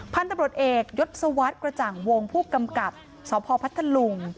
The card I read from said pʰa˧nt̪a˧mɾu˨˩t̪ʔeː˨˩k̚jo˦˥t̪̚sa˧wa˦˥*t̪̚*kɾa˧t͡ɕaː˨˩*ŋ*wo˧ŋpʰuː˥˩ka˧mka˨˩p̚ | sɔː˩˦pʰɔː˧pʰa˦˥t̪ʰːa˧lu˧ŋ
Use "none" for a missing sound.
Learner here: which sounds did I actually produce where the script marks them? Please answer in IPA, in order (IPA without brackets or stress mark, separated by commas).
t̪̚, ŋ